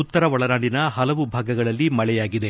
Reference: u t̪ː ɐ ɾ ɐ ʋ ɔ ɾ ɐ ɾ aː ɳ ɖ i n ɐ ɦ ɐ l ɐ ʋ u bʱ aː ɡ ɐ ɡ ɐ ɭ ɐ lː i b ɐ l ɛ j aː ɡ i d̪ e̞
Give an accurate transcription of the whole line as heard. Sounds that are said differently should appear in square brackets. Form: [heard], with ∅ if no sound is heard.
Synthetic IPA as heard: u t̪ː ɐ ɾ ɐ ʋ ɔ [ɭ] ɐ ɾ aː ɳ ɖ i n ɐ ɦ ɐ l ɐ ʋ u bʱ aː ɡ ɐ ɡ ɐ ɭ ɐ lː i [m] ɐ [ɭ] ɛ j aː ɡ i d̪ e̞